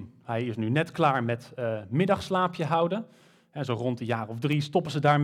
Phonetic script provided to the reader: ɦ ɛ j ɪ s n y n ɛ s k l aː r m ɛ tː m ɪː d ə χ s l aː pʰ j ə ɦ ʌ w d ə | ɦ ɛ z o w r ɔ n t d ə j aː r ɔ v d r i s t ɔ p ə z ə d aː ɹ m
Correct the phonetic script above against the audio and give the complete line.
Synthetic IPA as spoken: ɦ ɛ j ɪ s n y n ɛ t k l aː ɹ m ɛ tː m ɪ d ɑ χ s l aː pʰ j ə ɦ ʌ w d ə | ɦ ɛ z o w r ɔ n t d ə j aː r ɔ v d r i s t ɔ p ə z ə d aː ɹ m